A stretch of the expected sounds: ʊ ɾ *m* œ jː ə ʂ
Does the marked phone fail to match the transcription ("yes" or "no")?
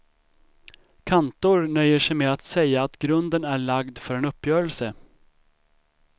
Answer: yes